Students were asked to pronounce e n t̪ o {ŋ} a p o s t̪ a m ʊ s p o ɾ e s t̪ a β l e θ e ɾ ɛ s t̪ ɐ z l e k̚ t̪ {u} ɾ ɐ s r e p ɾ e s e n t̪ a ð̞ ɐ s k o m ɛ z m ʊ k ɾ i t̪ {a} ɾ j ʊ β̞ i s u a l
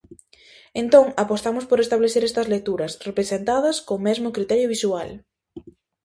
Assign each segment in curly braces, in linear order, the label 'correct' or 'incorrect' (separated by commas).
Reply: correct, correct, incorrect